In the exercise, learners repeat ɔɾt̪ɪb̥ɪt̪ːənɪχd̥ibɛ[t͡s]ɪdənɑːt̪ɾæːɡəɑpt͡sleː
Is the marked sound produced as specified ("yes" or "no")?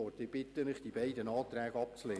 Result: no